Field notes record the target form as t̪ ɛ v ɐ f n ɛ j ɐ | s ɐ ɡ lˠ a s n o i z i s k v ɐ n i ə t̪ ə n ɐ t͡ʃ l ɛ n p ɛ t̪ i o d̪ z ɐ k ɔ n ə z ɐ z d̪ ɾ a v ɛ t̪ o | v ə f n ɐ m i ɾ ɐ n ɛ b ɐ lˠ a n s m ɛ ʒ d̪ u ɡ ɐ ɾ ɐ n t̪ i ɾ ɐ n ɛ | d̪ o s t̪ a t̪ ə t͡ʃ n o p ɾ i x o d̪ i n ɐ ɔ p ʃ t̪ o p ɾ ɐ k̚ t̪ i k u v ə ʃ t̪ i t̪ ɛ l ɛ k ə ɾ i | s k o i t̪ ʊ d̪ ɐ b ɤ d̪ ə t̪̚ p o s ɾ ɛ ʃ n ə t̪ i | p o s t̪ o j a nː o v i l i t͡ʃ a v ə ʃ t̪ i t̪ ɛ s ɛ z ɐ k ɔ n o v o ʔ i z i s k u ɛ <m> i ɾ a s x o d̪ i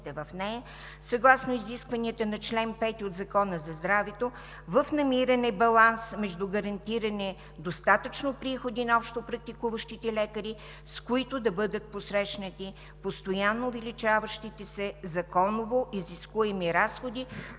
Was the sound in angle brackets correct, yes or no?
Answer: yes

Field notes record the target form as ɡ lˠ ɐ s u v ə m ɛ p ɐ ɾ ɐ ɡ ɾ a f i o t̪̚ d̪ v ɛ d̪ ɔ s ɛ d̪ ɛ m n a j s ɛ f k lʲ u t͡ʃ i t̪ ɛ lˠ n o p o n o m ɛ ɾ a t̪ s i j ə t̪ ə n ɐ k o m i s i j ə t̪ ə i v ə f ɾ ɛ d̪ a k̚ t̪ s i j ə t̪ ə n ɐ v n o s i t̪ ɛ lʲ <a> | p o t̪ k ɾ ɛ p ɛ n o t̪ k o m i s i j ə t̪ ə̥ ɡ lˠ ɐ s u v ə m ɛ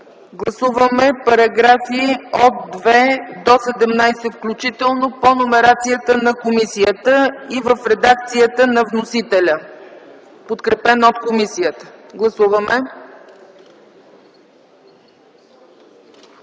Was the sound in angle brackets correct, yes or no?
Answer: no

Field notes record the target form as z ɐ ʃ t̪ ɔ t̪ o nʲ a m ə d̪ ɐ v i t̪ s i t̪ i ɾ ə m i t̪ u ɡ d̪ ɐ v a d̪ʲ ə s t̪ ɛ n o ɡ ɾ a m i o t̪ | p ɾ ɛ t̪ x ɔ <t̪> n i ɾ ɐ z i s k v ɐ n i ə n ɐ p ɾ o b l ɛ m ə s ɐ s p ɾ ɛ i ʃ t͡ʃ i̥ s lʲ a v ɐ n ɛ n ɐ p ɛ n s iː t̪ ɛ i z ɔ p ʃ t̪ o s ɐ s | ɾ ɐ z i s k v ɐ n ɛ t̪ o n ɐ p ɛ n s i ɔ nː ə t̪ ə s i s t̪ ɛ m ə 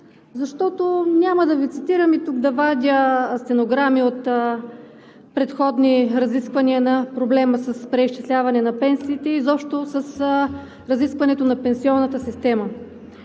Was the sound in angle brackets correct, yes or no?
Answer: no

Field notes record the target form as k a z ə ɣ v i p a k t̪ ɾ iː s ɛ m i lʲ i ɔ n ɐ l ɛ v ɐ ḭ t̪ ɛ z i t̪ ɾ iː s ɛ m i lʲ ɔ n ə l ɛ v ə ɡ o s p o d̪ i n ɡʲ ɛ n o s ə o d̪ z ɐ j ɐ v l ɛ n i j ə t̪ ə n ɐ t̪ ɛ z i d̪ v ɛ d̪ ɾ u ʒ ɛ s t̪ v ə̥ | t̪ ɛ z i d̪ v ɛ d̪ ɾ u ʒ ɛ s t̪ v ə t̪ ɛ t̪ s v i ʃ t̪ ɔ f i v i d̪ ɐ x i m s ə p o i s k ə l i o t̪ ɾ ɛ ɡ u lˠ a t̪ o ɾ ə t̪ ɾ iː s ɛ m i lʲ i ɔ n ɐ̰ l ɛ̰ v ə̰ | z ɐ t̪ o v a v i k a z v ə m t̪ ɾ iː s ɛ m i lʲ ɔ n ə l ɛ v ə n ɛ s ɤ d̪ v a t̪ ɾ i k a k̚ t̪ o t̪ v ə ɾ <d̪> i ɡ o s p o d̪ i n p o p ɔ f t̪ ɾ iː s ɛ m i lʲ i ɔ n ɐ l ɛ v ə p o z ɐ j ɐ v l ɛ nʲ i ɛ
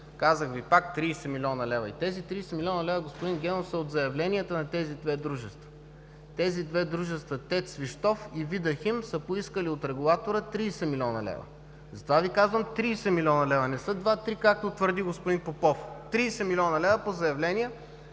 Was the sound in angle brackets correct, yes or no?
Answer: yes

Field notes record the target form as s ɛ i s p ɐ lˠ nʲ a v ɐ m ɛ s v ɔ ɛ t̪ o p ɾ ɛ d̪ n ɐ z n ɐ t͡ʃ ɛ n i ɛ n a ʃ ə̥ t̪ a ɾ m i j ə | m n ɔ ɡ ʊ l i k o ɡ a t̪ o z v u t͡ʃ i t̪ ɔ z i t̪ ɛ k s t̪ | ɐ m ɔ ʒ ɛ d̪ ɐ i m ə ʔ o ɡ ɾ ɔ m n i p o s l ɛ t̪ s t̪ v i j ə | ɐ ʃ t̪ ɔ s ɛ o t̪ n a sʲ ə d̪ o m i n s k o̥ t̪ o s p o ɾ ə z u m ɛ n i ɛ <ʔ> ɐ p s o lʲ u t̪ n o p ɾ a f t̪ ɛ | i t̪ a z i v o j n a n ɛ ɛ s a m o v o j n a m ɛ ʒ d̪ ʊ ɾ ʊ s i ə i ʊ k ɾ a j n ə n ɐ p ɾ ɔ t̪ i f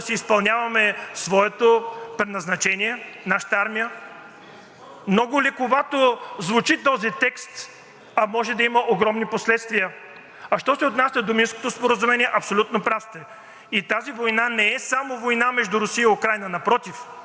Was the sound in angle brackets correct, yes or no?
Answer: yes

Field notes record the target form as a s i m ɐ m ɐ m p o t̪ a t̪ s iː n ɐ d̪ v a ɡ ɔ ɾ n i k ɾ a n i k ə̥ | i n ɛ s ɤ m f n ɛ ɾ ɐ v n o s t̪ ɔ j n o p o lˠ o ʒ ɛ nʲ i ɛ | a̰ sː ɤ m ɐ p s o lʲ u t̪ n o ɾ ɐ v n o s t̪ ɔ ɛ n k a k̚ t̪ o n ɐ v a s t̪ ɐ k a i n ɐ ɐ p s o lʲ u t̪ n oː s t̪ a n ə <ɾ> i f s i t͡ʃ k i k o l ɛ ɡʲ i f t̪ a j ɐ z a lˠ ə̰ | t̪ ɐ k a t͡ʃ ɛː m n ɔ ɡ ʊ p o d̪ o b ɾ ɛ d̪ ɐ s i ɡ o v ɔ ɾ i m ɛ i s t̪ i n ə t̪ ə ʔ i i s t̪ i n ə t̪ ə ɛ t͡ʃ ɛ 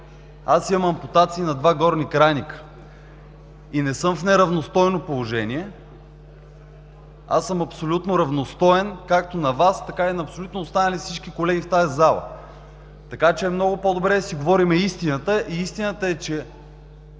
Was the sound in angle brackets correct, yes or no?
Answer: no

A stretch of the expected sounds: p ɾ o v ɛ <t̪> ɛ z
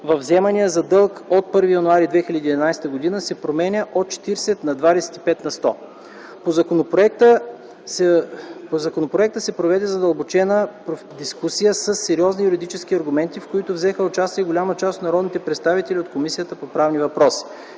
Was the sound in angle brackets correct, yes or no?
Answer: no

